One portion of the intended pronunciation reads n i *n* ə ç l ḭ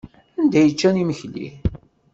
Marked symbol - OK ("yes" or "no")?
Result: no